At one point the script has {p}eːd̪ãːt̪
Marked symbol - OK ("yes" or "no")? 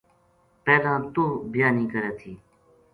yes